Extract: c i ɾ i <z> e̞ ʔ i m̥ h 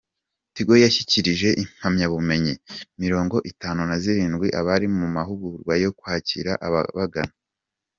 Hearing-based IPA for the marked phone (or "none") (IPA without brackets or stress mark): ʒ